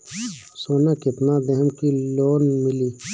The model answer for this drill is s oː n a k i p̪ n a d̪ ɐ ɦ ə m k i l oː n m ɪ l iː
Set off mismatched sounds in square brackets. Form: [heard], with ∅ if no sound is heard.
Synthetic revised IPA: s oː n a k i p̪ n a d̪ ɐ ɦ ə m k i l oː n m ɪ l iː